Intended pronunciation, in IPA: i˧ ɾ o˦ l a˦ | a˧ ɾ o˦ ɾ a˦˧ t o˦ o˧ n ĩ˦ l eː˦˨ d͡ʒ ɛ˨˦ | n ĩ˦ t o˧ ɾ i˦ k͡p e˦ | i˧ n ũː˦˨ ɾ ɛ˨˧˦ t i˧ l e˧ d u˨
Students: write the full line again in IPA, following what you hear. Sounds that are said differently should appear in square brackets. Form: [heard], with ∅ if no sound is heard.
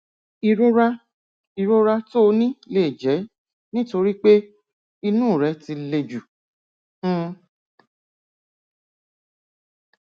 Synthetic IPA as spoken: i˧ ɾ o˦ [ɾ] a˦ | [i˧] ɾ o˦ ɾ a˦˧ t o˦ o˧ n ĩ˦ l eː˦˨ d͡ʒ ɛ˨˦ | n ĩ˦ t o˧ ɾ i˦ k͡p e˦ | i˧ n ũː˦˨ ɾ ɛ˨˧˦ t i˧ l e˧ [d͡ʒ] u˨